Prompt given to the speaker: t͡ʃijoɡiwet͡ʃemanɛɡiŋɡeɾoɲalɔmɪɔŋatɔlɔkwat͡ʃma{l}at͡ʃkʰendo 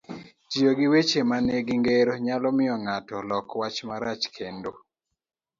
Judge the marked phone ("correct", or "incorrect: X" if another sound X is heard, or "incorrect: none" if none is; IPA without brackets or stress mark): incorrect: ɾ